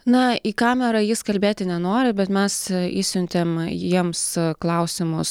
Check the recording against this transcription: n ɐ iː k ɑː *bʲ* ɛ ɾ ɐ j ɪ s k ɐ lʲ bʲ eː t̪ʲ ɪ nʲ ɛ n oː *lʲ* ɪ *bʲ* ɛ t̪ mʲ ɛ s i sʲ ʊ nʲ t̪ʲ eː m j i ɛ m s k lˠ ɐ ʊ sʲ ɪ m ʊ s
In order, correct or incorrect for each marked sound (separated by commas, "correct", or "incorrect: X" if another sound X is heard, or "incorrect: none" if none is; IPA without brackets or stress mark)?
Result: incorrect: mʲ, incorrect: ɾʲ, correct